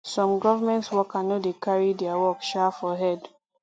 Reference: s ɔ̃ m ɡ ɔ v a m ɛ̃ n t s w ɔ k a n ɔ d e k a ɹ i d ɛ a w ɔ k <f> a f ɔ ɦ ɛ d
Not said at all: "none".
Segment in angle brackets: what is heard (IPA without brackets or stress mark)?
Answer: ʃ